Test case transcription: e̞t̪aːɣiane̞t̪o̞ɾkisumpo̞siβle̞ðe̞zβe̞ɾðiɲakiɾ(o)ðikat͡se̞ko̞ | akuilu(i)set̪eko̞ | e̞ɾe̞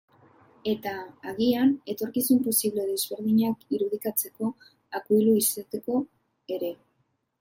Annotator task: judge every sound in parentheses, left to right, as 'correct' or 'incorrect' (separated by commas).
incorrect, correct